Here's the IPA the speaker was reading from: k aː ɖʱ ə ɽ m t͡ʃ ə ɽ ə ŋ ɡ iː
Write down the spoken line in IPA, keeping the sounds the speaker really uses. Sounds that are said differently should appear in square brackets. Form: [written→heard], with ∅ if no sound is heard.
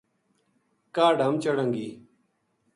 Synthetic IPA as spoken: k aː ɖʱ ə [ɽ→∅] m t͡ʃ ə ɽ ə ŋ ɡ iː